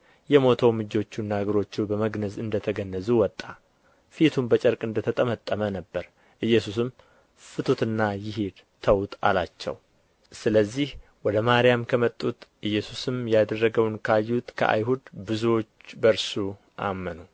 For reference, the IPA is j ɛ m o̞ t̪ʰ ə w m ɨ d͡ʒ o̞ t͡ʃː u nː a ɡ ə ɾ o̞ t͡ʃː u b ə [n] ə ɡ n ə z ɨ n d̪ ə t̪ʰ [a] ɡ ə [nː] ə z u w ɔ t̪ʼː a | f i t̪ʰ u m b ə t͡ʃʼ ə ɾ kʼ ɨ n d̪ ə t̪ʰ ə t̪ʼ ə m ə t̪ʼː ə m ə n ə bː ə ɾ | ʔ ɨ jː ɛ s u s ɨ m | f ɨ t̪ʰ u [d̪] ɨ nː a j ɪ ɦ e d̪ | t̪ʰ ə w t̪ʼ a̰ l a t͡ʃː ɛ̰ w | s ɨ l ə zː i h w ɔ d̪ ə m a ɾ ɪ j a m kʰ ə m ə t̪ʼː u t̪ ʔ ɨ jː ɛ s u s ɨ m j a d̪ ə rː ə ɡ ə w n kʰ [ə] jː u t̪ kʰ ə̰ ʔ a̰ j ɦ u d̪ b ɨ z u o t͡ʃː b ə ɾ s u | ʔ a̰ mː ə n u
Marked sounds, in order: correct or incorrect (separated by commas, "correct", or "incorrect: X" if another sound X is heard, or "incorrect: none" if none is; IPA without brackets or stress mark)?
incorrect: m, incorrect: ə, correct, incorrect: t̪, incorrect: a